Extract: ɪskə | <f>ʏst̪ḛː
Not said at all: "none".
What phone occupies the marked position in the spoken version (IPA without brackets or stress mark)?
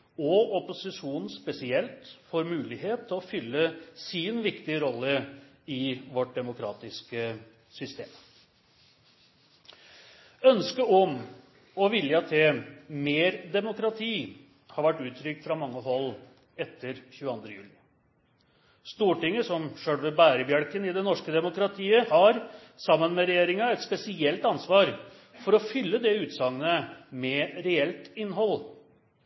s